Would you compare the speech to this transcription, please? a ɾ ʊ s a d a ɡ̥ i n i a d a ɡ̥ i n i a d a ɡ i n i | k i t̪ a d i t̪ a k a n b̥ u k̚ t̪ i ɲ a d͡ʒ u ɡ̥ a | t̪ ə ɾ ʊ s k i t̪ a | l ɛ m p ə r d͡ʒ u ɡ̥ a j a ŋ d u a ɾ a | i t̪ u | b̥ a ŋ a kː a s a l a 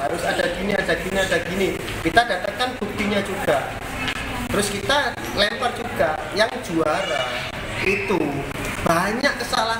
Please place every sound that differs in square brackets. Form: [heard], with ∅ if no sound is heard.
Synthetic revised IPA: a ɾ ʊ s a d a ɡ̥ i n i a d a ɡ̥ i n i a d a ɡ i n i | k i t̪ a d [a] t̪ a k a n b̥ u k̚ t̪ i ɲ a d͡ʒ u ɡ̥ a | t̪ ə ɾ ʊ s k i t̪ a | l ɛ m p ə r d͡ʒ u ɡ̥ a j a ŋ [d͡ʒ] u a ɾ a | i t̪ u | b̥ a [ɲ] a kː [ə] s a l a